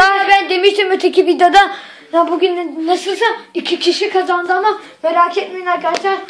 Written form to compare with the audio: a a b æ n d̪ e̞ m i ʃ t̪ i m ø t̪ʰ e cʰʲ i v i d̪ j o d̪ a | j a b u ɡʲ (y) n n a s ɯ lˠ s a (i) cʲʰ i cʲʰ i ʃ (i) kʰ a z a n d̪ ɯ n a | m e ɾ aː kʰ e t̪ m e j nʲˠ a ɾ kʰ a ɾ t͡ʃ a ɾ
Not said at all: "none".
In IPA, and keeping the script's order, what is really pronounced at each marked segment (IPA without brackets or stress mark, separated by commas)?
y, i, i